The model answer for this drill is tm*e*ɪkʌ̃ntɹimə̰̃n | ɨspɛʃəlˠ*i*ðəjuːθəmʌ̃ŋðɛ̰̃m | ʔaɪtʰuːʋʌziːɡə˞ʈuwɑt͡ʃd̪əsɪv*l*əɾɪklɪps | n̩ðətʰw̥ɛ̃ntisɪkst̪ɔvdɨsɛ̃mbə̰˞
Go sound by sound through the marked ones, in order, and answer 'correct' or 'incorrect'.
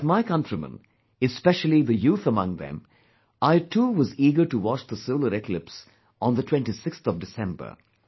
incorrect: a, correct, correct

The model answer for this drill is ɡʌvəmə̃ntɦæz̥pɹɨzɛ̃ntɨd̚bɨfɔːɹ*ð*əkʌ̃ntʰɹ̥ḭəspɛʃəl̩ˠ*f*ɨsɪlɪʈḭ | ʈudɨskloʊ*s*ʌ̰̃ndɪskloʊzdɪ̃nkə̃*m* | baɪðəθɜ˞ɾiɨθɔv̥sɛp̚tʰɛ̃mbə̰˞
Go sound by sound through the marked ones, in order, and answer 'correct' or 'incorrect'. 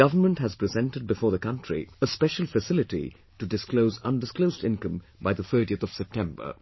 correct, correct, incorrect: z, correct

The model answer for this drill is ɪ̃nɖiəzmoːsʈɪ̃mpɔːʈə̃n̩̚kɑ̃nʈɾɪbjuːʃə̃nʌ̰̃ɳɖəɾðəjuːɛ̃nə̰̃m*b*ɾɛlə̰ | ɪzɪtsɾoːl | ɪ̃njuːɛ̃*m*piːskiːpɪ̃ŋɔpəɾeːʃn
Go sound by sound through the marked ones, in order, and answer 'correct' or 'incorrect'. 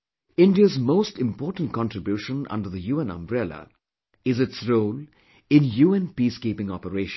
correct, incorrect: n

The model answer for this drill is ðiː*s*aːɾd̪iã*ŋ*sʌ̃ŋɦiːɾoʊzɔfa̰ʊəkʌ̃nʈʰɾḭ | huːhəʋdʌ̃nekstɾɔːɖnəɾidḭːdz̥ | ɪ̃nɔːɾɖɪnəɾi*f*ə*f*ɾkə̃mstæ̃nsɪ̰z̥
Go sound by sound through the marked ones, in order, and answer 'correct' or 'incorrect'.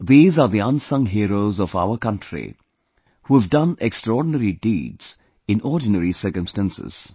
incorrect: z, incorrect: n, incorrect: s, incorrect: none

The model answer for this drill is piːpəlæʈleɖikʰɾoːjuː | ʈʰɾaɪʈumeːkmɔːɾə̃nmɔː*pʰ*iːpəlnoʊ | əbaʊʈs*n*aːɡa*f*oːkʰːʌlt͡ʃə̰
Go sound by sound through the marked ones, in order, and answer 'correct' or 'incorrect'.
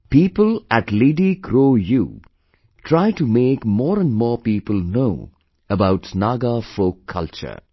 incorrect: p, correct, correct

